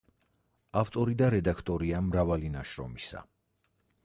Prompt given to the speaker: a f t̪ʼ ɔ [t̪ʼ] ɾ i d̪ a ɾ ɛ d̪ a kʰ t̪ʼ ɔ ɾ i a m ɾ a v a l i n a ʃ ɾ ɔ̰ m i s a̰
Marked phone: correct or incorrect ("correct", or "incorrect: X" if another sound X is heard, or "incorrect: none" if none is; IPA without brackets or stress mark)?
incorrect: none